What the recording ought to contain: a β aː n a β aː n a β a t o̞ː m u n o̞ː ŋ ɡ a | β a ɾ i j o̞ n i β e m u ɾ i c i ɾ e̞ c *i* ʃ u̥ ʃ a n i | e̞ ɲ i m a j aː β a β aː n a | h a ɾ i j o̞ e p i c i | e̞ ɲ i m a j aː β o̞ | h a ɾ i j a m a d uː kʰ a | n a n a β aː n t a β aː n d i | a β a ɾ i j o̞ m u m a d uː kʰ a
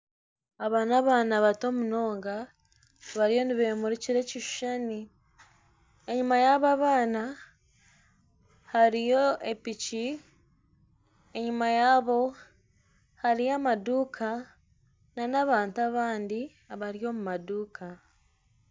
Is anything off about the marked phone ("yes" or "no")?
no